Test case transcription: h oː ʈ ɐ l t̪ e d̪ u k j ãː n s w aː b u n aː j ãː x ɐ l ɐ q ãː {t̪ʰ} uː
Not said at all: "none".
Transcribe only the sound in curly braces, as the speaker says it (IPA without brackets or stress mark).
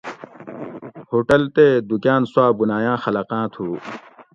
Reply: t̪ʰ